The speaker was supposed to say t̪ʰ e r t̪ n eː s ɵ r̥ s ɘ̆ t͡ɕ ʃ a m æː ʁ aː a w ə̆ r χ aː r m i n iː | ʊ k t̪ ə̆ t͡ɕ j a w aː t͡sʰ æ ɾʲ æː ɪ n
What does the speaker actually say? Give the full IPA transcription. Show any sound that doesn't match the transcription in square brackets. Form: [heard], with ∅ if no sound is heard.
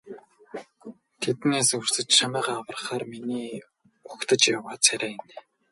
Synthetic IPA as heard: t̪ʰ e [∅] t̪ n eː s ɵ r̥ s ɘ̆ t͡ɕ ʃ a m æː ʁ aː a w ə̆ r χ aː r m i n iː | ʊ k t̪ ə̆ t͡ɕ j a w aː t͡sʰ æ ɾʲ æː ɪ n